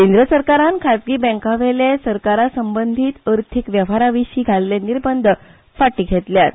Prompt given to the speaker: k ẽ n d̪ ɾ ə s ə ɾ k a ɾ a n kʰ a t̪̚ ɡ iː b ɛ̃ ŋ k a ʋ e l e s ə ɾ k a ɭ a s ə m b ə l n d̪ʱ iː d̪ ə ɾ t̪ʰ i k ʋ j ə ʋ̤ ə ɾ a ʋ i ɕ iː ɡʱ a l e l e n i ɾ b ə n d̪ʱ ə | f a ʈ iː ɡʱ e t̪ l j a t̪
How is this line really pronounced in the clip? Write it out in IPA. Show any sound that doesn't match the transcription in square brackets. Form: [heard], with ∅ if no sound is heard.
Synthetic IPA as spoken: k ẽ n d̪ ɾ ə s ə ɾ k a ɾ a n kʰ a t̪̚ ɡ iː b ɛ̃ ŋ k a ʋ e l e s ə ɾ k a [ɾ] a s ə m b ə [∅] n d̪ʱ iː [t̪] ə ɾ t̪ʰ i k ʋ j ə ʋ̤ [a] ɾ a ʋ i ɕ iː ɡʱ a l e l e n i ɾ b ə n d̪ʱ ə | f a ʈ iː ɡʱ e t̪ l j a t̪

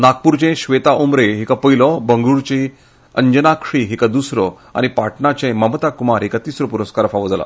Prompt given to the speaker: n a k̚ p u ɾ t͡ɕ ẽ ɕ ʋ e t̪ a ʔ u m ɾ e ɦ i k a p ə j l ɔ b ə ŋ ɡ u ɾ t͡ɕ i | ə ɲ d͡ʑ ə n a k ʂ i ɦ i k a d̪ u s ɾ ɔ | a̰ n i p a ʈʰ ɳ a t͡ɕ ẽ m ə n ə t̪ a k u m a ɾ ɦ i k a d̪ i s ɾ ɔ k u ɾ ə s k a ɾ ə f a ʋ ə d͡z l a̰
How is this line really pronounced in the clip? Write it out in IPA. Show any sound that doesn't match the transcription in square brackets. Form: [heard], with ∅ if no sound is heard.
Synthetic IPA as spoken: n a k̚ p u ɾ t͡ɕ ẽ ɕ ʋ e t̪ a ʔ u m ɾ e ɦ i k a p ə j l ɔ b ə ŋ ɡ u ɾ t͡ɕ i | ə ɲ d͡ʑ ə n a k ʂ i ɦ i k a d̪ u s ɾ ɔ | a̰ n i p a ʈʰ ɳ a t͡ɕ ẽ m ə [m] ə t̪ a k u m a ɾ ɦ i k a [t̪] i s ɾ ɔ [p] u ɾ ə s k a ɾ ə f a ʋ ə d͡z l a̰

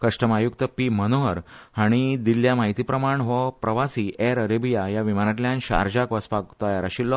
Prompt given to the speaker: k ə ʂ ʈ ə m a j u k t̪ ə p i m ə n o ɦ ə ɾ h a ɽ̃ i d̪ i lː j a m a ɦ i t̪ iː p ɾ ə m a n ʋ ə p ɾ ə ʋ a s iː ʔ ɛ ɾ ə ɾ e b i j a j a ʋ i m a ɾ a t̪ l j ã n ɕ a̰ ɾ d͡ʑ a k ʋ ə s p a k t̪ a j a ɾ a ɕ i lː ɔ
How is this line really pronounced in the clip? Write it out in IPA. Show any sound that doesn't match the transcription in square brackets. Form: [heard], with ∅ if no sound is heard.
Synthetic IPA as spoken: k ə ʂ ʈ ə m a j u k t̪ ə p i m ə n o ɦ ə ɾ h a ɽ̃ i d̪ i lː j a m a ɦ i t̪ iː p ɾ ə m a [ɳ] ʋ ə p ɾ ə ʋ a s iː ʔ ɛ ɾ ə ɾ e b i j a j a ʋ i m a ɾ a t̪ l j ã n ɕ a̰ ɾ d͡ʑ a k ʋ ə s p a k t̪ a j a ɾ a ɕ i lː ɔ

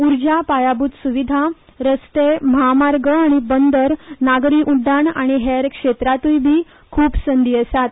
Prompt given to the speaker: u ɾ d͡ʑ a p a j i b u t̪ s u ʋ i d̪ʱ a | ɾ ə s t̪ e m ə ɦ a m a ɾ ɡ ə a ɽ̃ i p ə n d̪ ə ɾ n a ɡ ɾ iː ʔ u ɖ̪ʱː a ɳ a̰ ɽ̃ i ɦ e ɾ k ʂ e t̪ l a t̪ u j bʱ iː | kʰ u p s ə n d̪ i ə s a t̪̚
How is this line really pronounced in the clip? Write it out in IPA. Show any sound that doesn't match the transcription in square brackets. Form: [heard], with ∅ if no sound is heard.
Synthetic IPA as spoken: u ɾ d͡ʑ a p a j [a] b u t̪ s u ʋ i d̪ʱ a | ɾ ə s t̪ e m ə ɦ a m a ɾ ɡ ə a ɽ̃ i [b] ə n d̪ ə ɾ n a ɡ ɾ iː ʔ u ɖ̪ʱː a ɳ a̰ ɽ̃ i ɦ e ɾ k ʂ e t̪ [ɾ] a t̪ u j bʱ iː | kʰ [uː] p s ə n d̪ i ə s a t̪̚

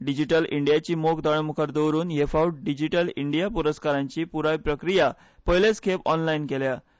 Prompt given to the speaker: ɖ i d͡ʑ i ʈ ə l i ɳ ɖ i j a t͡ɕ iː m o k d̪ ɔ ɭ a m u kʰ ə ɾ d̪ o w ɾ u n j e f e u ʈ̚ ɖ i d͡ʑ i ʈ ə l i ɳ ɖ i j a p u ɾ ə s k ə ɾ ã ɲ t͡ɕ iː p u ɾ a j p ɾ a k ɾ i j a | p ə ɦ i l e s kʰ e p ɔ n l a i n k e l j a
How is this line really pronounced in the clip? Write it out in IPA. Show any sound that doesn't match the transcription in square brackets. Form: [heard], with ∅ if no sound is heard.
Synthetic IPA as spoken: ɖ i d͡ʑ i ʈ ə l i ɳ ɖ i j a t͡ɕ iː m o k d̪ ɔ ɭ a m u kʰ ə ɾ d̪ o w ɾ [uː] n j e f [a] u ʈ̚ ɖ i d͡ʑ i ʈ ə l i ɳ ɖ i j a p u ɾ ə s k [a] ɾ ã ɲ t͡ɕ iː p u ɾ a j p ɾ [ə] k ɾ i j a | p ə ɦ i l e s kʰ e p ɔ n l a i n k e l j a

